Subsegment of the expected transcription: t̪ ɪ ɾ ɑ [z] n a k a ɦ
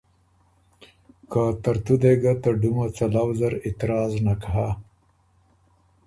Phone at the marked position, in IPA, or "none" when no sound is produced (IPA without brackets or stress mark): z